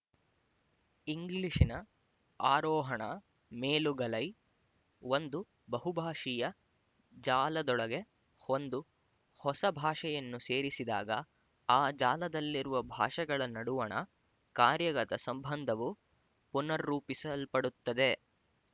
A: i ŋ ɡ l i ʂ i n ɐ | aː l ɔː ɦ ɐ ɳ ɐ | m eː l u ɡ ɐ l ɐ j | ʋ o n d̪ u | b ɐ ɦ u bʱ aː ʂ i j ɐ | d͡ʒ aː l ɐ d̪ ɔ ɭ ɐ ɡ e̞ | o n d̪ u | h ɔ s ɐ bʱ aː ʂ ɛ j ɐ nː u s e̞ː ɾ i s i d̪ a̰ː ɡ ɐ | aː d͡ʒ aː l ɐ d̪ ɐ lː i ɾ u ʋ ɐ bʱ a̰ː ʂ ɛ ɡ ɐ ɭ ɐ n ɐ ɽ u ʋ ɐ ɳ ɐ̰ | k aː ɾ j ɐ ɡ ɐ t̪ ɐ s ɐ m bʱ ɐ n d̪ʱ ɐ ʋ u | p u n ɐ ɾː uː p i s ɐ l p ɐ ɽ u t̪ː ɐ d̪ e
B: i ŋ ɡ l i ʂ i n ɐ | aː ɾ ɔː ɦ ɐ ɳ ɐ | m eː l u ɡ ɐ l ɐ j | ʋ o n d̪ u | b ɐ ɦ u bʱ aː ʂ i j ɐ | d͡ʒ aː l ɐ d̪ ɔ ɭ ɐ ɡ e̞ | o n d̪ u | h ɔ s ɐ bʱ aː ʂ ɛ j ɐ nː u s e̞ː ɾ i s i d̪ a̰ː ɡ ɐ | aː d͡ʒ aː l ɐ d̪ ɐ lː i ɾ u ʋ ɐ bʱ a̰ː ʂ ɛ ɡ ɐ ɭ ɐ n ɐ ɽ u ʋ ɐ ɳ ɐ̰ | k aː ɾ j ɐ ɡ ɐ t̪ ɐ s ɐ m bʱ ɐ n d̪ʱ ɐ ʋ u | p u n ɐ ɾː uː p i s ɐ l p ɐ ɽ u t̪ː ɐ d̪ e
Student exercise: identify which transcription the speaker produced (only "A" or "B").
B